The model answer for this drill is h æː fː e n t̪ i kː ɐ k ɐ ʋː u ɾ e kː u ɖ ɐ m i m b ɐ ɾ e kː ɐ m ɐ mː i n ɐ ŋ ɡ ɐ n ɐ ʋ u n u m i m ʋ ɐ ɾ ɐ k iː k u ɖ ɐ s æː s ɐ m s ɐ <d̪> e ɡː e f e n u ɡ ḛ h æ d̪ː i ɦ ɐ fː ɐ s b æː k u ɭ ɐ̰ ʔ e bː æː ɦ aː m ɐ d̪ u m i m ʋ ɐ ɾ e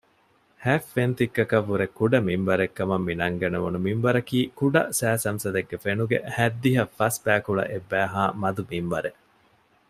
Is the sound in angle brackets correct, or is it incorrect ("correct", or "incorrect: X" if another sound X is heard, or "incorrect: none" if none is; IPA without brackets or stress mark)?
correct